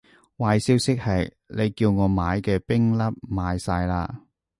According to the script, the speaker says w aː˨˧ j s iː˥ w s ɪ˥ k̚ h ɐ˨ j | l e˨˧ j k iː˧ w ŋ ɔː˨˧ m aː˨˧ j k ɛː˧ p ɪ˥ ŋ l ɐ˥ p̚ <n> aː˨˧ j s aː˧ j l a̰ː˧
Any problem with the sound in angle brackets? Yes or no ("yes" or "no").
yes